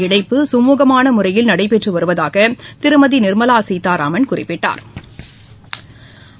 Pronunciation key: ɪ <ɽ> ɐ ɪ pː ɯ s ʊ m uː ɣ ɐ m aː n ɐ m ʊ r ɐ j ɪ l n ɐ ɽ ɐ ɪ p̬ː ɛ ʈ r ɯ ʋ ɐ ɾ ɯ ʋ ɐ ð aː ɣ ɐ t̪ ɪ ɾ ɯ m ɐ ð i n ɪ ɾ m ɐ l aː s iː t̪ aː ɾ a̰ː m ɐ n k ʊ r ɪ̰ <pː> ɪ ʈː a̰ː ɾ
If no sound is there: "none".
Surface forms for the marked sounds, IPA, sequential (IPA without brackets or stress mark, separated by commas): ɽ, pː